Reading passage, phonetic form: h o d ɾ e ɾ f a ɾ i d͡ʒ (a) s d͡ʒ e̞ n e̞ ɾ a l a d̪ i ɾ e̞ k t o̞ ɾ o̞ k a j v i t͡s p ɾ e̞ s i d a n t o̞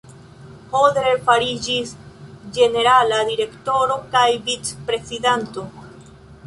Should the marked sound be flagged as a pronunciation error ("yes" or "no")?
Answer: yes